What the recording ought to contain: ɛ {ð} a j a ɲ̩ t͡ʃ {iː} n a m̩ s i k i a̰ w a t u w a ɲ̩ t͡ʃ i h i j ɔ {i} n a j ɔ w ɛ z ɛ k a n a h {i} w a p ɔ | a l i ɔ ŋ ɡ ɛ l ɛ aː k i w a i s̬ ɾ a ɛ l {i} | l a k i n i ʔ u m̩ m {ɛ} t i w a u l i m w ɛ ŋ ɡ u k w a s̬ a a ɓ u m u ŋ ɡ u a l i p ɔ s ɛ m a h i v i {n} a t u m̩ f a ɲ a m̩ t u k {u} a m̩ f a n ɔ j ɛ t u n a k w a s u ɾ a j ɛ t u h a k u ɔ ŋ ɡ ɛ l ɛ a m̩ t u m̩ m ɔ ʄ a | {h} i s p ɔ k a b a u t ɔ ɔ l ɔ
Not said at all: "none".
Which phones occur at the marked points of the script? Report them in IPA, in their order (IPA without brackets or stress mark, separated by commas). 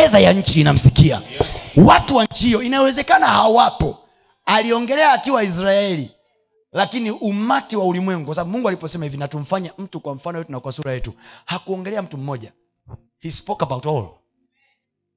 ð, iː, i, a, i, a, n, w, h